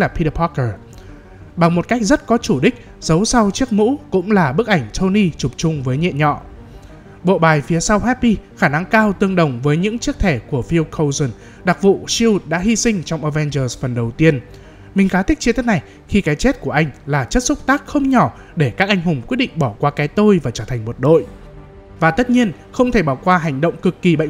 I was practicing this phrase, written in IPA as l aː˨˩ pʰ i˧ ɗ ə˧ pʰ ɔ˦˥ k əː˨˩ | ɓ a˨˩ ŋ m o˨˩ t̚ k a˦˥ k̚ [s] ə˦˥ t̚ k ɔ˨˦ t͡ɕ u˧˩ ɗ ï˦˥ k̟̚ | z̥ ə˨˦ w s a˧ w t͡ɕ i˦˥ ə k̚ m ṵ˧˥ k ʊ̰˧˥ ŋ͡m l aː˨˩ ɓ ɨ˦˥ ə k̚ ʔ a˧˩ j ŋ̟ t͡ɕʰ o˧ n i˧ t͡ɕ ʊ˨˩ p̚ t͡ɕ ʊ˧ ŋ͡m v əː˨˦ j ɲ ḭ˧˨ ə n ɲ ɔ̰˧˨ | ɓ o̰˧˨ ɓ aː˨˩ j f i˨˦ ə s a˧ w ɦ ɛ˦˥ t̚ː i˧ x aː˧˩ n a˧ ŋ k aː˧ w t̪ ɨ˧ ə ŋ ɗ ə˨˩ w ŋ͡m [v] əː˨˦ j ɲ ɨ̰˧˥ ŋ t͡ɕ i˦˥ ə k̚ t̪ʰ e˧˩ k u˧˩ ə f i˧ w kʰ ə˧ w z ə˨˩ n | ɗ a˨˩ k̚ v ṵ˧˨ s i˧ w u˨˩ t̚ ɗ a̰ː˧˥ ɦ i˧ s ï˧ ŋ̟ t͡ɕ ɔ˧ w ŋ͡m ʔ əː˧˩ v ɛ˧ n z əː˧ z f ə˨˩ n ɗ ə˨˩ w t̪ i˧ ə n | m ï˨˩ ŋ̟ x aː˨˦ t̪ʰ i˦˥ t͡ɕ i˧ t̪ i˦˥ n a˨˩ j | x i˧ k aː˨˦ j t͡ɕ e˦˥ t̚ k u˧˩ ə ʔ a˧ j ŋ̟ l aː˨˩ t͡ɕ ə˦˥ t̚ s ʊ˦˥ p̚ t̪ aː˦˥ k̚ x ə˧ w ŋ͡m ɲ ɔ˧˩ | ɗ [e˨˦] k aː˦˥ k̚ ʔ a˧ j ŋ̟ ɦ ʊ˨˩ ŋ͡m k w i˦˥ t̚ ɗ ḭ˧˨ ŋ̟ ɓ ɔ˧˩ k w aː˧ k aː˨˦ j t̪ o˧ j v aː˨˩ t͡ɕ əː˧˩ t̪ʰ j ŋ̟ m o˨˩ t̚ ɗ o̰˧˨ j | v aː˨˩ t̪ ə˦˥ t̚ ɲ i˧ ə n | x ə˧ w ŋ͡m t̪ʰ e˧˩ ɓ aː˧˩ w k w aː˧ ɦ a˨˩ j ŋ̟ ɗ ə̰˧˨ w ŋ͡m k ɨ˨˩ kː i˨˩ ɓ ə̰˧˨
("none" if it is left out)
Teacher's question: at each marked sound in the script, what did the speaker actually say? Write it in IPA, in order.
z, v, e˧˩

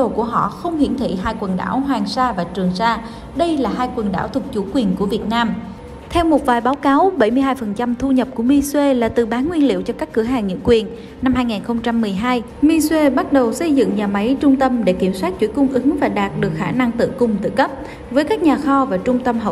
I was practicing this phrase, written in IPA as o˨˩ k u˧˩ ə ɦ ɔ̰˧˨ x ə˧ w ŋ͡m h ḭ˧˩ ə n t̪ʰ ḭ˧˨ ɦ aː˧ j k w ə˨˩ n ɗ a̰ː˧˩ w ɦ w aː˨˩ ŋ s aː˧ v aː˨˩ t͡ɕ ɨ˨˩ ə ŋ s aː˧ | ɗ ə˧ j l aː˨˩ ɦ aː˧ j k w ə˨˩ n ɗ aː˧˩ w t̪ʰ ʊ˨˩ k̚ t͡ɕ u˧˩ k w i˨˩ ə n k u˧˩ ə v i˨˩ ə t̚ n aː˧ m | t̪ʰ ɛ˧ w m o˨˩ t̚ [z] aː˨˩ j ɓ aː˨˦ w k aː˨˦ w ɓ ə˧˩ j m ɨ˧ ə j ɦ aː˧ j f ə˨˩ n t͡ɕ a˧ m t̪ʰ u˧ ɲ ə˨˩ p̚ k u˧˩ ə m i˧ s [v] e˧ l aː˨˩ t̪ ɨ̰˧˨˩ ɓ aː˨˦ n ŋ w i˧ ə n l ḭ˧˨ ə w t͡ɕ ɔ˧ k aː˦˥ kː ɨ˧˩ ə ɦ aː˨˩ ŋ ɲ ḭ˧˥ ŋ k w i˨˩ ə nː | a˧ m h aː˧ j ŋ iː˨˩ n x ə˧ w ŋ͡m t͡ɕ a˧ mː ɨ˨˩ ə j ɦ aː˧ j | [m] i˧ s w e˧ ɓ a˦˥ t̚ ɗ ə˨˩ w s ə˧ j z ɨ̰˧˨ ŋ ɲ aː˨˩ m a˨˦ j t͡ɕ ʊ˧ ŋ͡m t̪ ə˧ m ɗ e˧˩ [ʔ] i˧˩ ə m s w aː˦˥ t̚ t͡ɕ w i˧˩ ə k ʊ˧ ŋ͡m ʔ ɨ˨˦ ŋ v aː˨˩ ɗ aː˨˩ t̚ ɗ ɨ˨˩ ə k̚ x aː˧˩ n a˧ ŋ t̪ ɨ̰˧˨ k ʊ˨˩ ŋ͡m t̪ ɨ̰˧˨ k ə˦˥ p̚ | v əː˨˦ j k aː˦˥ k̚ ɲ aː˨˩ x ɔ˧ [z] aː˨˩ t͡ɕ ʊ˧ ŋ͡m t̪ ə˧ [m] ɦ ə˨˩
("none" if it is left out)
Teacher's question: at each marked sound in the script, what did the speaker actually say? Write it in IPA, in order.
v, w, m, k, v, m

